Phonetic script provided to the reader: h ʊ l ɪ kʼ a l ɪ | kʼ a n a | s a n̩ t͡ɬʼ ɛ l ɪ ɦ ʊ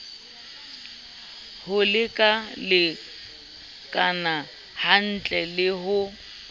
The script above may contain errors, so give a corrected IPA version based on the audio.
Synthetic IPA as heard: h ʊ l ɪ kʼ a l ɪ | kʼ a n a | h a n̩ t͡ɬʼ ɛ l ɪ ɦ ʊ